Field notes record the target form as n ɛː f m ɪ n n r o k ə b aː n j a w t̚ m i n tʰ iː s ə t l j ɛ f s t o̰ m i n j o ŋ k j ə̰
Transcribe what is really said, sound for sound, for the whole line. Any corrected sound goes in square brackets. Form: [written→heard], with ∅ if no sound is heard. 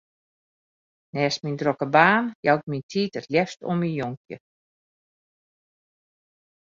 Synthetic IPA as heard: n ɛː [f→s] m [ɪ→i] n [n→d] r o k ə b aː n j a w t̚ m i n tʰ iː [s→t] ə t l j ɛ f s t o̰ m i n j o ŋ k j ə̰